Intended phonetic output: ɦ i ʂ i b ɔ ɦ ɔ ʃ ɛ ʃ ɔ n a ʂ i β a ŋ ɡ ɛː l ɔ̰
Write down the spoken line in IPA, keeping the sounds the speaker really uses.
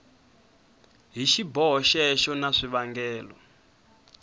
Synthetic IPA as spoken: ɦ i ʃ i b ɔ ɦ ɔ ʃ ɛ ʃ ɔ n a ʂ i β a ŋ ɡ ɛː l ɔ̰

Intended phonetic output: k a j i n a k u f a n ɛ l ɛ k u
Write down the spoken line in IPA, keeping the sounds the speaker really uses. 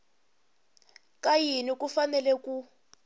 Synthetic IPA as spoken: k a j i n i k u f a n ɛ l ɛ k u

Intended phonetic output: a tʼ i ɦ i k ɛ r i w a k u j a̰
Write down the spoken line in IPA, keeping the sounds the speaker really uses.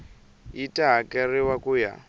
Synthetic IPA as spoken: i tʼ a ɦ a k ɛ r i w a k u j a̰

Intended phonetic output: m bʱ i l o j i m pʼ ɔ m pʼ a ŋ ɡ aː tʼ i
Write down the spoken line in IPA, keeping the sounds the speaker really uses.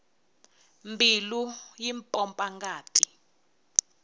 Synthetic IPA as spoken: m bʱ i l u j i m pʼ ɔ m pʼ a ŋ ɡ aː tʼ i

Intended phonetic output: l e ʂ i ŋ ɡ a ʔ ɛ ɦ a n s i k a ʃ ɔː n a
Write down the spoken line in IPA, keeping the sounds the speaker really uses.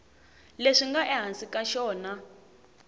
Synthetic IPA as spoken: l e ʂ i ŋ ɡ a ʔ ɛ ɦ a n s i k a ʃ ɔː n a

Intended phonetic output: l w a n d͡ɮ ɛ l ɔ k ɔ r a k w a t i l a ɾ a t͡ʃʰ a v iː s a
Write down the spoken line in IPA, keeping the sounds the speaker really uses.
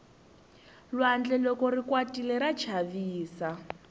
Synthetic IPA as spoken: l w a n d͡ɮ ɛ l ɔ k ɔ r i k w a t i l ɛ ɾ a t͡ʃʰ a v iː s a

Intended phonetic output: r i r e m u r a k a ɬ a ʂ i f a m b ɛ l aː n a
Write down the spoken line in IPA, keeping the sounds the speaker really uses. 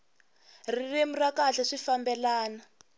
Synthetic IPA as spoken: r i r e m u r a k a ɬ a ʂ i f a m b ɛ l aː n a

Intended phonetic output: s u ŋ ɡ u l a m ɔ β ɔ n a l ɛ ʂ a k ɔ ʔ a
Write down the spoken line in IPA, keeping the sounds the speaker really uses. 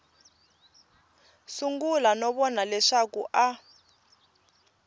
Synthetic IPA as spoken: s u ŋ ɡ u l a n ɔ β ɔ n a l ɛ ʂ a k u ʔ a

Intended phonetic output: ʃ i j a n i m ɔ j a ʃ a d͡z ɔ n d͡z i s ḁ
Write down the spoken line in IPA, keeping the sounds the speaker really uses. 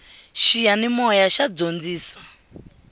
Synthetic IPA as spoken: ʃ i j a n i m ɔ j a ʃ a d͡z o n d͡z iː s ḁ

